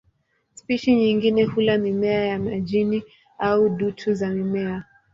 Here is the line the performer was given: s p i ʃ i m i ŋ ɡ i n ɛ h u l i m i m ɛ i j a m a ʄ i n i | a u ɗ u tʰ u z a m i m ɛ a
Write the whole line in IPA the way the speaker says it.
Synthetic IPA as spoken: s p i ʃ i ɲ i ŋ ɡ i n ɛ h u l a m i m ɛ a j a m a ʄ i n i | a u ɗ u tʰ u z a m i m ɛ a